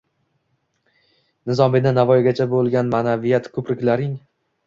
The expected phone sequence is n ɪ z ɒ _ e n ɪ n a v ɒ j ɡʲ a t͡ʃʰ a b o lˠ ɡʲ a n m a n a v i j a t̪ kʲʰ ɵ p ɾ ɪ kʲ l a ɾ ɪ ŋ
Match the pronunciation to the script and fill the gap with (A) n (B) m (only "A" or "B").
B